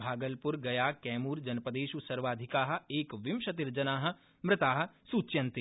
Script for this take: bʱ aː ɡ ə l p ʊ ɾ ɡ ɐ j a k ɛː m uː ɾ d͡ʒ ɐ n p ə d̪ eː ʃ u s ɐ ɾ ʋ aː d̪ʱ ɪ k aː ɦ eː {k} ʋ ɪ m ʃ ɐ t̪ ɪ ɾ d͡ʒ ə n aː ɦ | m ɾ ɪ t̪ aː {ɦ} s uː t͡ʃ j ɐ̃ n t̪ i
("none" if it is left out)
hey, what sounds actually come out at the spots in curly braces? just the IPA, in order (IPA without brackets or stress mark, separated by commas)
k, ɦ